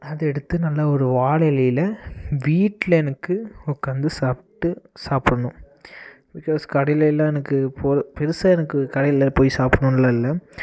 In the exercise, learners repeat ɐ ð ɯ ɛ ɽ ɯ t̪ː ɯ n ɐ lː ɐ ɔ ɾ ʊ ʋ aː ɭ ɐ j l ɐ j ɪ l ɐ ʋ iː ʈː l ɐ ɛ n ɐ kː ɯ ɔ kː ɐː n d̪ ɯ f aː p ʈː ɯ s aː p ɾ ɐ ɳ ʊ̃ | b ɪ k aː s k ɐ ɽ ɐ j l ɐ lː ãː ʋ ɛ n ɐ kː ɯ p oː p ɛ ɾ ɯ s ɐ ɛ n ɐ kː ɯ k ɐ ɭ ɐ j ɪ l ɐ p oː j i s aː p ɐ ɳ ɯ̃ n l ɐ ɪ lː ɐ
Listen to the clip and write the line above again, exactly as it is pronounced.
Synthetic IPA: ɐ ð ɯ ɛ ɽ ɯ t̪ː ɯ n ɐ lː ɐ ɔ ɾ ɯ ʋ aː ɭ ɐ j l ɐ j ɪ l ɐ ʋ iː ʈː l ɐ ɛ n ɐ kː ɯ ɔ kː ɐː n d̪ ɯ s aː p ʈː ɯ s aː p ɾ ɐ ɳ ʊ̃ | b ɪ k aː s k ɐ ɽ ɐ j l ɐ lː ãː ɛ n ɐ kː ɯ p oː p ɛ ɾ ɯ s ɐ ɛ n ɐ kː ɯ k ɐ ɽ ɐ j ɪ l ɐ p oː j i s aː p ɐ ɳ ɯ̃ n l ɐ ɪ lː ɐ